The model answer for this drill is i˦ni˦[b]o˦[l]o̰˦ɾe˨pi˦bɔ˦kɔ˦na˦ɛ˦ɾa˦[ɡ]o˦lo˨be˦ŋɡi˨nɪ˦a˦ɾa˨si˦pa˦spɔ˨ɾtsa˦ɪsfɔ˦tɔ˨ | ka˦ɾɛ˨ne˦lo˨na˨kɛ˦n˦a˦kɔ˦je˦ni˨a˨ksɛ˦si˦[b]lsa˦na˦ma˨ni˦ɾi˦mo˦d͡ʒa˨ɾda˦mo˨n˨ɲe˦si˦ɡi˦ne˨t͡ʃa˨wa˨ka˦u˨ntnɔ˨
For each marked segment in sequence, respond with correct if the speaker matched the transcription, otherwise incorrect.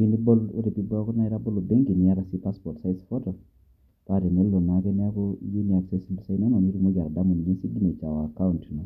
correct, correct, incorrect, correct

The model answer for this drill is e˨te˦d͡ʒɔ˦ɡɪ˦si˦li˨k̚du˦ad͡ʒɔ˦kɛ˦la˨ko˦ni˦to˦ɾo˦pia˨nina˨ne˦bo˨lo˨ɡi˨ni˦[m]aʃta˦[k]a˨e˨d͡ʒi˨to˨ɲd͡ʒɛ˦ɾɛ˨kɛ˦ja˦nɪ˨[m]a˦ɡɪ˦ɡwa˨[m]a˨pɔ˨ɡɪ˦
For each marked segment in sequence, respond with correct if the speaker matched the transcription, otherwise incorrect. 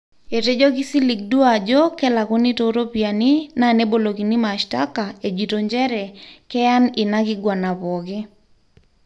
correct, correct, incorrect, incorrect

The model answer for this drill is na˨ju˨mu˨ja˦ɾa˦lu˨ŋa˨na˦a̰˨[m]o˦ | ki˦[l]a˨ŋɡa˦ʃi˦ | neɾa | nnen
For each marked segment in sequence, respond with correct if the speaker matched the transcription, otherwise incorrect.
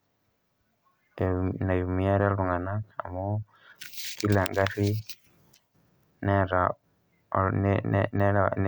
correct, correct

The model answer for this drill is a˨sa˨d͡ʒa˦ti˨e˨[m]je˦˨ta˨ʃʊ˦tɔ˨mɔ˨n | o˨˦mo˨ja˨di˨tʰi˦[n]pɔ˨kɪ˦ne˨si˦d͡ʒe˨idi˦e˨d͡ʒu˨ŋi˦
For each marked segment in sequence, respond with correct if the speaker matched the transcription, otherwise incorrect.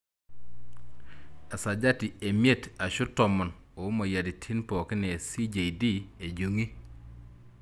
correct, correct

